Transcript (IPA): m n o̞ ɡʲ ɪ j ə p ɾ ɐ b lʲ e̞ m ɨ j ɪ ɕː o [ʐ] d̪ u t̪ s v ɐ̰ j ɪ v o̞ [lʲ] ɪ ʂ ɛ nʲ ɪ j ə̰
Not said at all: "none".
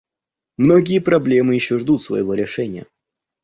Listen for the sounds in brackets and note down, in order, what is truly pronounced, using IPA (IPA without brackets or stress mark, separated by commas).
ʐ, ɾʲ